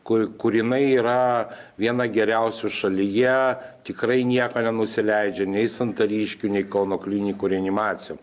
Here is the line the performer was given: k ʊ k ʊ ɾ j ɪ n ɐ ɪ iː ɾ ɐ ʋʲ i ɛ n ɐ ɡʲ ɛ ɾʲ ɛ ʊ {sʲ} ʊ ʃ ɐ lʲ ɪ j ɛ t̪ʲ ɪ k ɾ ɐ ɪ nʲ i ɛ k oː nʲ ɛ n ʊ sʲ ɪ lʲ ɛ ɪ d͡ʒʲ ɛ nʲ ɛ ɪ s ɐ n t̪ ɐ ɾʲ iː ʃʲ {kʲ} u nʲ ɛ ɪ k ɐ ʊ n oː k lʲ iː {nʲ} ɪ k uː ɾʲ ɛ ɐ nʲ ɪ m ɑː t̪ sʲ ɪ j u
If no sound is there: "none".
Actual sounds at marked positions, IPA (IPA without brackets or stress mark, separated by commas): sʲ, kʲ, nʲ